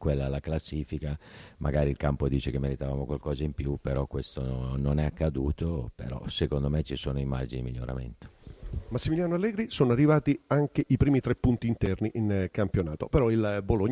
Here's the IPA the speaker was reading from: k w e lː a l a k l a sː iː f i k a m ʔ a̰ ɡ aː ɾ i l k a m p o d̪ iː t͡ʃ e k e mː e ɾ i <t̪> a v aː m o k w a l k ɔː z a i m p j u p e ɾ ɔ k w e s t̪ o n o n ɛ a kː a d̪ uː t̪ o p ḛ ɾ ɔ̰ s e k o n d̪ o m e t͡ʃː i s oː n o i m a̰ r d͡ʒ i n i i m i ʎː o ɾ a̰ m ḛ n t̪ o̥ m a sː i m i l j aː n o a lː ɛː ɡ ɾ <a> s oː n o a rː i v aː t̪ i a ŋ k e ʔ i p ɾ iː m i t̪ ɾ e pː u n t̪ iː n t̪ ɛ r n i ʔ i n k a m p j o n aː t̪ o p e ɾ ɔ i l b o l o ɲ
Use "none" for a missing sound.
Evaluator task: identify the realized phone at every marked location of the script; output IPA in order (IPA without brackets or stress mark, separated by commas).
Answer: t̪, i